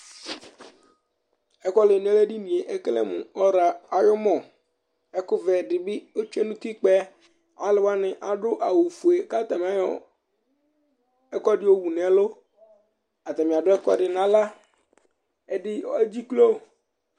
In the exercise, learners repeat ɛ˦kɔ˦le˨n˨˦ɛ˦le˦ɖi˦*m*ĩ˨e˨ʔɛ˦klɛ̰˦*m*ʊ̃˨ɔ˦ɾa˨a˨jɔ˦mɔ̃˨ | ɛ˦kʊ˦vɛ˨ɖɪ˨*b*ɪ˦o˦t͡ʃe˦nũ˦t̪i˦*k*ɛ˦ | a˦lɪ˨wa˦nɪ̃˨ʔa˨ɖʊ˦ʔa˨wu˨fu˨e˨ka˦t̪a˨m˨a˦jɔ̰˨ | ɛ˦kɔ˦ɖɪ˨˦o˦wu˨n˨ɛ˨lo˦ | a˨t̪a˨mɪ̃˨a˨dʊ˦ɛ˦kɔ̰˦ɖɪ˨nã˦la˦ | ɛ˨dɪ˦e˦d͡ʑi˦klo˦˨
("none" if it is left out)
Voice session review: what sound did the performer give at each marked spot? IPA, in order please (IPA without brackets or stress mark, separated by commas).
n, m, b, k͡p